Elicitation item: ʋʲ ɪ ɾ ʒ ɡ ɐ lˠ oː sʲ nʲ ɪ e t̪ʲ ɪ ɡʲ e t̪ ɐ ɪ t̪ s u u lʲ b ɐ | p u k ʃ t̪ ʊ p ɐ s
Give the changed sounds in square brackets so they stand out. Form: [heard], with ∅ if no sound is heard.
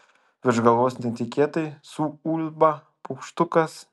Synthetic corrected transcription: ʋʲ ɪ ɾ ʒ ɡ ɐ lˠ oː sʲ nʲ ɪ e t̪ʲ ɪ [kʲ] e t̪ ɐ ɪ [∅] s u u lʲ b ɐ | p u k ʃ t̪ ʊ [k] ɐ s